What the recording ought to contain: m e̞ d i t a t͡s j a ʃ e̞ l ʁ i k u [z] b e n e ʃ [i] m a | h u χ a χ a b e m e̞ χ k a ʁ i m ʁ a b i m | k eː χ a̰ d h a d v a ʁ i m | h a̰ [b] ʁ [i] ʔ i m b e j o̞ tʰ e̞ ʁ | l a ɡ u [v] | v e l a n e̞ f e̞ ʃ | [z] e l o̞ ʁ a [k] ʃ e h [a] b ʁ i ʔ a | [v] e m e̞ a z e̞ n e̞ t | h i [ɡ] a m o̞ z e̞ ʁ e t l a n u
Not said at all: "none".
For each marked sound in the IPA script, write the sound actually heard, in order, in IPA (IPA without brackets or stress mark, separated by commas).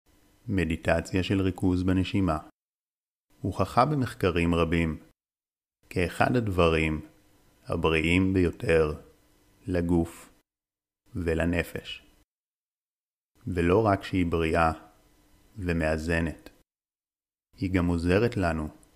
z, i, b, i, f, v, k, i, v, ɡ